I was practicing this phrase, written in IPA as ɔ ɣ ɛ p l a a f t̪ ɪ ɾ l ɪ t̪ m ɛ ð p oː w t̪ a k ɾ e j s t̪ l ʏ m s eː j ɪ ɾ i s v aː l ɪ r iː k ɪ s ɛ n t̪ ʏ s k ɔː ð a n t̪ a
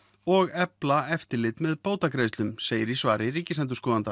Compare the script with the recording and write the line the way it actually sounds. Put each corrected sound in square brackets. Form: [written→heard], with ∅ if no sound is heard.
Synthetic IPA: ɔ ɣ ɛ p l a [a→ɛ] f t̪ ɪ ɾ l ɪ t̪ m ɛ ð p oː w t̪ a k ɾ e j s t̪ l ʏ m s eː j ɪ ɾ i s v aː [l→ɾ] ɪ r iː [k→c] ɪ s ɛ n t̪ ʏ s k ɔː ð a n t̪ a